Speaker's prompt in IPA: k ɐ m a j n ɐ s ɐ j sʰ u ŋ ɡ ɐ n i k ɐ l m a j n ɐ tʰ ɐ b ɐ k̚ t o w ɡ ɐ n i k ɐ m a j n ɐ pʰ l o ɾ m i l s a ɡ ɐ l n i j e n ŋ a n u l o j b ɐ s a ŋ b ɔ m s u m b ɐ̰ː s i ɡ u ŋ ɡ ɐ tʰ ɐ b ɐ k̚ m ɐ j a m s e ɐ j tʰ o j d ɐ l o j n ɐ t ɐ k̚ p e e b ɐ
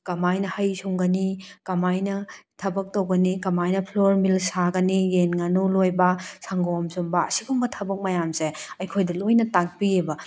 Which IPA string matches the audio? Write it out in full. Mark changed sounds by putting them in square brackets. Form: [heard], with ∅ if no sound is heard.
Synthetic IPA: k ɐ m a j n ɐ [h] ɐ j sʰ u ŋ ɡ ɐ n i k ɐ [∅] m a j n ɐ tʰ ɐ b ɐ k̚ t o w ɡ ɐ n i k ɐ m a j n ɐ pʰ l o ɾ m i l s a ɡ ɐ [∅] n i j e n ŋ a n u l o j b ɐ s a ŋ [ɡ] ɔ m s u m b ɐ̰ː s i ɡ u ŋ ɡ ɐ tʰ ɐ b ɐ k̚ m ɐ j a m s e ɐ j [kʰ] o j d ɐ l o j n ɐ t [a] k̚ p [i] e b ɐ